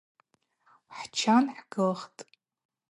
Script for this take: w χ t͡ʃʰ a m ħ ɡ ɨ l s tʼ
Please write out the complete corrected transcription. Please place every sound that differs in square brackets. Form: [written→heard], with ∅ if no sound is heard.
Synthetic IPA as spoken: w [χ→ħ] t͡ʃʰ a [m→n] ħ ɡ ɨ l [s→χ] tʼ